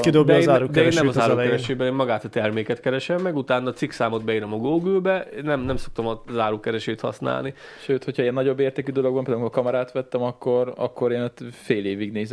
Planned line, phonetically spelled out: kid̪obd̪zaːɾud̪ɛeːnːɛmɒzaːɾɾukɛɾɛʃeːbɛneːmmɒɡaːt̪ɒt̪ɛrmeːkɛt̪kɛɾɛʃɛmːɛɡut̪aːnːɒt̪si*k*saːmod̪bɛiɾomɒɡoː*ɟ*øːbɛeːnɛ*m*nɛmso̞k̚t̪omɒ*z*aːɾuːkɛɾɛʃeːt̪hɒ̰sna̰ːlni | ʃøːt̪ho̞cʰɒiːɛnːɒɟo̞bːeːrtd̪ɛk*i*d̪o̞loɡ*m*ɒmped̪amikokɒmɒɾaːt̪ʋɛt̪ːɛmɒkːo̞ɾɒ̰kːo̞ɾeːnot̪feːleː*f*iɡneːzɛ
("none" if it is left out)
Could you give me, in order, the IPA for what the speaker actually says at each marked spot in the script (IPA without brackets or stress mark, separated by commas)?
k, ɡ, m, z, y, b, v